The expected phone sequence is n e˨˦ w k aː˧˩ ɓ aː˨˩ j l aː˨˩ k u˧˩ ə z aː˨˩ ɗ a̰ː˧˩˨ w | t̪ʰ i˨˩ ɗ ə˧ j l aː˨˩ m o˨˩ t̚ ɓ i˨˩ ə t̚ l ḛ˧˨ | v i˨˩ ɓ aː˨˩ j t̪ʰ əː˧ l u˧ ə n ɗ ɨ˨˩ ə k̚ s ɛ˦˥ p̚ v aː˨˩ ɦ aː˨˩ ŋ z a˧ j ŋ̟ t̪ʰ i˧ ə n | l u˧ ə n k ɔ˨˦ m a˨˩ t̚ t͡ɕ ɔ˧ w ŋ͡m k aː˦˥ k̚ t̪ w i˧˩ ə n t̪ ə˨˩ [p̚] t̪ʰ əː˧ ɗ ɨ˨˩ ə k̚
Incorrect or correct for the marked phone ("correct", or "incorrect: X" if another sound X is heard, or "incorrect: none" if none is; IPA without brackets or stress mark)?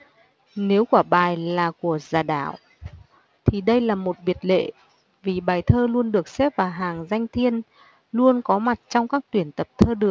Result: correct